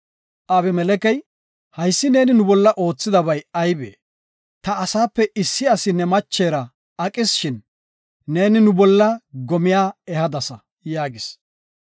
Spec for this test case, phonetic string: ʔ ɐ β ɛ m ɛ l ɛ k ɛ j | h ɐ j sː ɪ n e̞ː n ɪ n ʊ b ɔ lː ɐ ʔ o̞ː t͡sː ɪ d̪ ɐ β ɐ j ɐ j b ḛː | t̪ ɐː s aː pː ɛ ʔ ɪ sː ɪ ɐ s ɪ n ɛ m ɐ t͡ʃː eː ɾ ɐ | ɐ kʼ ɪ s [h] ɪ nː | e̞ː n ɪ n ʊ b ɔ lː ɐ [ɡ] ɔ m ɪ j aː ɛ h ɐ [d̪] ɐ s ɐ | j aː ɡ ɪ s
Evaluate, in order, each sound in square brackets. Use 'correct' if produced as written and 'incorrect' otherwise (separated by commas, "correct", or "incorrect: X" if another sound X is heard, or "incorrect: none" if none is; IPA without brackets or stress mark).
incorrect: ʃ, correct, correct